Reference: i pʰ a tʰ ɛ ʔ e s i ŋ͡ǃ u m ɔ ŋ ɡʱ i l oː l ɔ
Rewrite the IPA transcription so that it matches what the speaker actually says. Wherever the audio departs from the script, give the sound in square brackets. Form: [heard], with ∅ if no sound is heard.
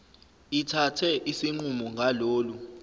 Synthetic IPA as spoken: i [tʰ] a tʰ ɛ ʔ [i] s i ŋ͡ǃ u m ɔ ŋ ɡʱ [a] l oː l [u]